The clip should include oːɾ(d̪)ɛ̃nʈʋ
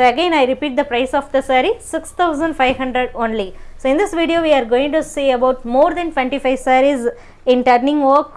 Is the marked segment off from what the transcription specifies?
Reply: no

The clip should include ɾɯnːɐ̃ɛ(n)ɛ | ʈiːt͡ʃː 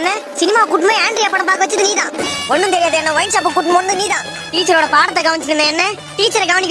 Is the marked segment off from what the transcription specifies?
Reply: yes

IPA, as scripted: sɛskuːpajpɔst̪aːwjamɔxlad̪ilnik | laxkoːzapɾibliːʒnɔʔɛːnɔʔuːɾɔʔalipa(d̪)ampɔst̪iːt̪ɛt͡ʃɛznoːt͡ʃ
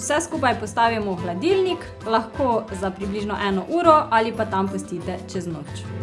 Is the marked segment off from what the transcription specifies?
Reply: yes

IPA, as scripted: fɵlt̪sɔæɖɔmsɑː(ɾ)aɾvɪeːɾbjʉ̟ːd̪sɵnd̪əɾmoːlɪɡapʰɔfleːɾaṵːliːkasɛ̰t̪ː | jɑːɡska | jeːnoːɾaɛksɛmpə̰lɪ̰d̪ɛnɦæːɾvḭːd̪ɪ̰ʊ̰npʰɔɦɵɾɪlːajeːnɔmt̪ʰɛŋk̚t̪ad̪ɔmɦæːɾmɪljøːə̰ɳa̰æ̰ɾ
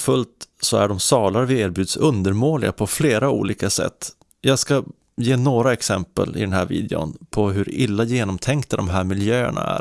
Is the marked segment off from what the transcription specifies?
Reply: yes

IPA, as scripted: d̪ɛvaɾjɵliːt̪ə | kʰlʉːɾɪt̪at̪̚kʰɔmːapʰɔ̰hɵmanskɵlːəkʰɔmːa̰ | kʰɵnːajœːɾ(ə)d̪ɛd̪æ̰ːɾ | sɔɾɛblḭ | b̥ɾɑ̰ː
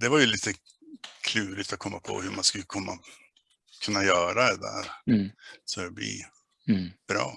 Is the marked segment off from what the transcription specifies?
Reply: yes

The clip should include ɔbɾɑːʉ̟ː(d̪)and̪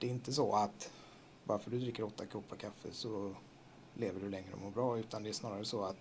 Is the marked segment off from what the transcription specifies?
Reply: yes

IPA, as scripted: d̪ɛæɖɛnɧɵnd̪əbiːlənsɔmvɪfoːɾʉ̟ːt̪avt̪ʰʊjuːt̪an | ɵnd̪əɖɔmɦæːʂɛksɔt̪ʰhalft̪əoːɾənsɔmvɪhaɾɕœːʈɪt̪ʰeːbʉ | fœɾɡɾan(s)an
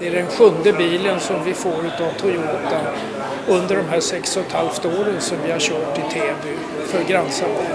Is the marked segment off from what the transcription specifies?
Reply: no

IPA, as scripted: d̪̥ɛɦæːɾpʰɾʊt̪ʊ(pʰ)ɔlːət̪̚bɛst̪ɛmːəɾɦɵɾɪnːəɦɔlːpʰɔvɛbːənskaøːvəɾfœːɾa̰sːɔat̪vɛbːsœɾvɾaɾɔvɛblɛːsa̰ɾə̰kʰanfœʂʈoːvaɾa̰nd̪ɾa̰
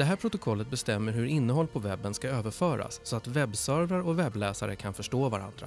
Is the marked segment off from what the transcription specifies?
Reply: yes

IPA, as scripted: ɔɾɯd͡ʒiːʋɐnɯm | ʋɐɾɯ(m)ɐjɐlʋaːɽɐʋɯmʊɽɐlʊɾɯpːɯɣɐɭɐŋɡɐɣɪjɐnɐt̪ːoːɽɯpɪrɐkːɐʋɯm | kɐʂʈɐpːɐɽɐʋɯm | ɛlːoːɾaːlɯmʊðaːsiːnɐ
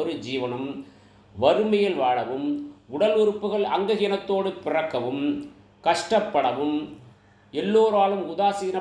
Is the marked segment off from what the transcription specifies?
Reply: no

